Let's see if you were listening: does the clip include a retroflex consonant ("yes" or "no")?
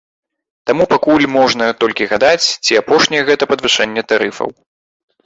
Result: yes